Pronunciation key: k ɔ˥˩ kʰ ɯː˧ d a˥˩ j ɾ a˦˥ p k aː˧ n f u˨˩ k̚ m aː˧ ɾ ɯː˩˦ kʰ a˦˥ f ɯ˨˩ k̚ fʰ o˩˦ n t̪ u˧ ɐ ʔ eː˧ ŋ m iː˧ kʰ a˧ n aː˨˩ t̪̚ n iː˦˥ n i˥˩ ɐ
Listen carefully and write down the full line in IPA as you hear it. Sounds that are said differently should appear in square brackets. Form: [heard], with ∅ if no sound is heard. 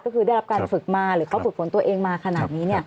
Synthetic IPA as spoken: k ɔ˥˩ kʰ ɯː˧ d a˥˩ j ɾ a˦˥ p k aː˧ n f [ɯ˨˩] k̚ m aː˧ ɾ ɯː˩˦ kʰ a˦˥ f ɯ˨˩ k̚ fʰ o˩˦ n t̪ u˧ ɐ ʔ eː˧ ŋ m [aː˧] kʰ a˧ n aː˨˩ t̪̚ n iː˦˥ n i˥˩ ɐ